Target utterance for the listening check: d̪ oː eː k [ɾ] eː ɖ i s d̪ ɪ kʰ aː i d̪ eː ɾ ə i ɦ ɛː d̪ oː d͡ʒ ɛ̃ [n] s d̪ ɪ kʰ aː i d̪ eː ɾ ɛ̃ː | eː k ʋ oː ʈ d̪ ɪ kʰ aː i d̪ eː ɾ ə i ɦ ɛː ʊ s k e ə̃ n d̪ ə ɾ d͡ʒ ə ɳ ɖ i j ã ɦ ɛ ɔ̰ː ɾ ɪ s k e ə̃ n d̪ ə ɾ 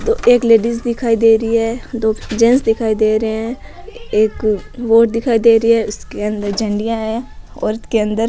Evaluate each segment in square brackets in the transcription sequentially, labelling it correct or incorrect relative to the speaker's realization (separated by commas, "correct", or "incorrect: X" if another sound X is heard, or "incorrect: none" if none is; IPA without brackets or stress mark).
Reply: incorrect: l, correct